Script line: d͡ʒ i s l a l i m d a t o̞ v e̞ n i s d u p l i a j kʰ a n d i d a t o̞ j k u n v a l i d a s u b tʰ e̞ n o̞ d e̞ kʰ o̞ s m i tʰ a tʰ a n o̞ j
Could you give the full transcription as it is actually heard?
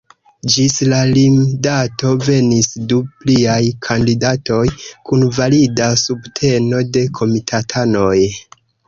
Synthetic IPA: d͡ʒ i s l a l i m d a t o̞ v e̞ n i s d u p l i a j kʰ a n d i d a t o̞ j k u n v a l i d a s u b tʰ e̞ n o̞ d e̞ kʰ o̞ m i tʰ a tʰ a n o̞ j